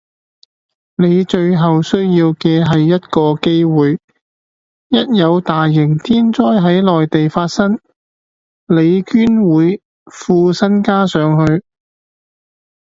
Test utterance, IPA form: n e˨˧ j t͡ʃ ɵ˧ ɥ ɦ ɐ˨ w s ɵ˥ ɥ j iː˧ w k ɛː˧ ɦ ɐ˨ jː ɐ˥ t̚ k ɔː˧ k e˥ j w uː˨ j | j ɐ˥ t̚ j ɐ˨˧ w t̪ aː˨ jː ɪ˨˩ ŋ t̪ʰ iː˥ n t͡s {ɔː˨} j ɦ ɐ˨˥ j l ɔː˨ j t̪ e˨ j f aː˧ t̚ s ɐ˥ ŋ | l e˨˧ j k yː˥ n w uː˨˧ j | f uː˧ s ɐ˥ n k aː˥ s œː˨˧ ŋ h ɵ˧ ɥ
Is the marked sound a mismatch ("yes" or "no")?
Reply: yes